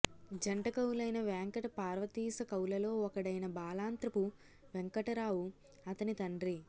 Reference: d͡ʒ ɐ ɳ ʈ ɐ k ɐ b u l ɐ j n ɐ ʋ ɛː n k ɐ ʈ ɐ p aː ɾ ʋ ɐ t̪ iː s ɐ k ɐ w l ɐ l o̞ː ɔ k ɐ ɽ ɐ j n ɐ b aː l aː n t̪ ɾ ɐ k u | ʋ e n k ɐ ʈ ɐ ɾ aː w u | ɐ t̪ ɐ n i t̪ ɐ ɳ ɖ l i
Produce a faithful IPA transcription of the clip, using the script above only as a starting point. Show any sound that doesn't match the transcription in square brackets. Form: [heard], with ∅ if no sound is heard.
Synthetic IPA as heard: d͡ʒ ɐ ɳ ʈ ɐ k ɐ [w] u l ɐ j n ɐ ʋ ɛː [ŋ] k ɐ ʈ ɐ p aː ɾ ʋ ɐ t̪ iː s ɐ k ɐ w l ɐ l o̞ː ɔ k ɐ ɽ ɐ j n ɐ b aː l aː n t̪ ɾ ɐ [p] u | ʋ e [ŋ] k ɐ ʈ ɐ ɾ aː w u | ɐ t̪ ɐ n i t̪ ɐ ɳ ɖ [ɾ] i